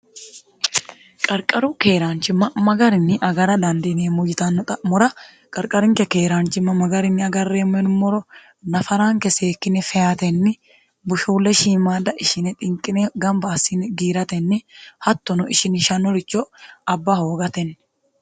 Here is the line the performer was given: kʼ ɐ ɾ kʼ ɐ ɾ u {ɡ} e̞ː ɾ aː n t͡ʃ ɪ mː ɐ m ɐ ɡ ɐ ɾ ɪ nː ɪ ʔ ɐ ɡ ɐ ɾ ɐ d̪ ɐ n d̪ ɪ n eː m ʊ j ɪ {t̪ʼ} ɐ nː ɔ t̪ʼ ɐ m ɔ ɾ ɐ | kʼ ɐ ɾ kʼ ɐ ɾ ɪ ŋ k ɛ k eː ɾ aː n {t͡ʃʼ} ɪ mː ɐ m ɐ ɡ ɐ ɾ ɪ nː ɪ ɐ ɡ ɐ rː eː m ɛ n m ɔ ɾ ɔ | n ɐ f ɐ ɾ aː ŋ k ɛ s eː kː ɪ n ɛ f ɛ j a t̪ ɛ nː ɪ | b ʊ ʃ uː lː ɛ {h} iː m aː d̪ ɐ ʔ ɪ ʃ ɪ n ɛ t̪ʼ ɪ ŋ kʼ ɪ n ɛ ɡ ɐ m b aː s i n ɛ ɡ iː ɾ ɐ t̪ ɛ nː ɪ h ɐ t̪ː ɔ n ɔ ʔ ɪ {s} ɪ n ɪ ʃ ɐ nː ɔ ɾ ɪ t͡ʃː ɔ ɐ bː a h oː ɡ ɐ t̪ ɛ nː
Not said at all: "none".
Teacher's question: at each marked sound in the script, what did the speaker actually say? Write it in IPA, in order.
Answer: k, t̪, t͡ʃ, ʃ, ʃ

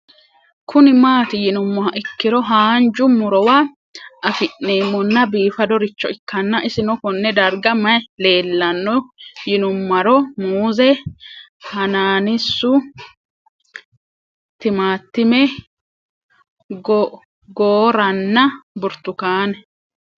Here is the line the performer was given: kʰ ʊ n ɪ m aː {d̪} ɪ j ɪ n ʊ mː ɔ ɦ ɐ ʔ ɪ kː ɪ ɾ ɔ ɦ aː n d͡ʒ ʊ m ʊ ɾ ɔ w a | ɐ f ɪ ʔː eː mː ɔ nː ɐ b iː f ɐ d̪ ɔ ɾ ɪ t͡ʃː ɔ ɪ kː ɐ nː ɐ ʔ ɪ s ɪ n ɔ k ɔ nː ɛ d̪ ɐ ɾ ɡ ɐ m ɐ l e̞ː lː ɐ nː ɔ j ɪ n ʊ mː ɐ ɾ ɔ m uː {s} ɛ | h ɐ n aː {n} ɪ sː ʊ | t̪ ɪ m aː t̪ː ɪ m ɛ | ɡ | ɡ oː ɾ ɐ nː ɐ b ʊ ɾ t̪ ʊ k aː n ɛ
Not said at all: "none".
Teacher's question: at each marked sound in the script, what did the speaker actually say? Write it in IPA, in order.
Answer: t̪, z, n

